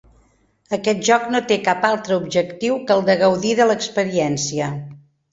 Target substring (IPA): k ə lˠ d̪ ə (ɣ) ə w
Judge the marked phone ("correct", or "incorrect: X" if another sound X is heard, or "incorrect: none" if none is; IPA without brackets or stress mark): correct